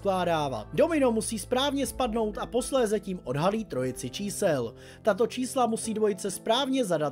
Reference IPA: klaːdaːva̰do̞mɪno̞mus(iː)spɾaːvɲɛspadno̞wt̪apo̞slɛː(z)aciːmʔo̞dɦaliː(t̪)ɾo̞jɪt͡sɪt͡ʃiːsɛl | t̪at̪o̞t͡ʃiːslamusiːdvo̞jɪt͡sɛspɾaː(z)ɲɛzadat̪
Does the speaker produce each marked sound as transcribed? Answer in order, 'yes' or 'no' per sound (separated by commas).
yes, yes, yes, no